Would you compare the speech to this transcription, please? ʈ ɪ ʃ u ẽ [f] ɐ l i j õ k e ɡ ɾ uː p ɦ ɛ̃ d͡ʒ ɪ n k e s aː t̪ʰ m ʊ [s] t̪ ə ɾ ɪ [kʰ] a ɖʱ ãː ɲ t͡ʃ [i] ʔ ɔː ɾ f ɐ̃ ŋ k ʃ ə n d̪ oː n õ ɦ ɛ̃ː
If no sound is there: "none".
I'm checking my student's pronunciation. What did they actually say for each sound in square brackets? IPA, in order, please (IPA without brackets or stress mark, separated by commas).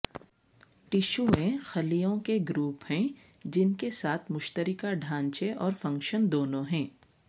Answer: x, ʃ, k, e